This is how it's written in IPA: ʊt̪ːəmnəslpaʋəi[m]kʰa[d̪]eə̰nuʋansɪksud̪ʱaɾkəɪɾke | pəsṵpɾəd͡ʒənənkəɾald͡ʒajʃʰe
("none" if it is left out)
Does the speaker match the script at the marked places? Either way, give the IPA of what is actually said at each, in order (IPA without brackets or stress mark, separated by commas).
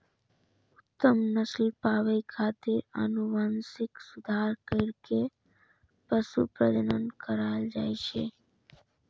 none, t̪